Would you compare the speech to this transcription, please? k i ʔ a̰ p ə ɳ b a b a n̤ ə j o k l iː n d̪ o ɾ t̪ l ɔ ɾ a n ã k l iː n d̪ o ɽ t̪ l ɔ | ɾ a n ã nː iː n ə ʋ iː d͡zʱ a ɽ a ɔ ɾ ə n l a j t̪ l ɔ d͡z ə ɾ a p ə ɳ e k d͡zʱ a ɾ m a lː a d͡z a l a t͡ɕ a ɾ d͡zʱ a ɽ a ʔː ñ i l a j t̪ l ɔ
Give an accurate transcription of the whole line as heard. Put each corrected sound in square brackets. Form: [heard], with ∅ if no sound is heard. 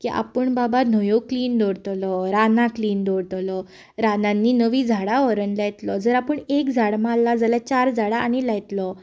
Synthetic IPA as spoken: k i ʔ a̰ p ə ɳ b a b a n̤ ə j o k l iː n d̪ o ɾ t̪ l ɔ ɾ a n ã k l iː n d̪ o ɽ t̪ l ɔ | ɾ a n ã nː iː n ə ʋ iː d͡zʱ a ɽ a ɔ ɾ ə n l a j t̪ l ɔ d͡z ə ɾ a p ə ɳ e k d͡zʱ a [ɽ] m a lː a d͡z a l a t͡ɕ a ɾ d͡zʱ a ɽ a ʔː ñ i l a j t̪ l ɔ